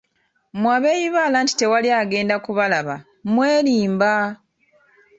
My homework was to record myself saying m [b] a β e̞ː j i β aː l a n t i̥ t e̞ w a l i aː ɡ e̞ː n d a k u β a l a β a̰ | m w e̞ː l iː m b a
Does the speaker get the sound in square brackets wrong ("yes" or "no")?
yes